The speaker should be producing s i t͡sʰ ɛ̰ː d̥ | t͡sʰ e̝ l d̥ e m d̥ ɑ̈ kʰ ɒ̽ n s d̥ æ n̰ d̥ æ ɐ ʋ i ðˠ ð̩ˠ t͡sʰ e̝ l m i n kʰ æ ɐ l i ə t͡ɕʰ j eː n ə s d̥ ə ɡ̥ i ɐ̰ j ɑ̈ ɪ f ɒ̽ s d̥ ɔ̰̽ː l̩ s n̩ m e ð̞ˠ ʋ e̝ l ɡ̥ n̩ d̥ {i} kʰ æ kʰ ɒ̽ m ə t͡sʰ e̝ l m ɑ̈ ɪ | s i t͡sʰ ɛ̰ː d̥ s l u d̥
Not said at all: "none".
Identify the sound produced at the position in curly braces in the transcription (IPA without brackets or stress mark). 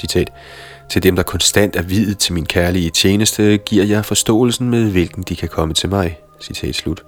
i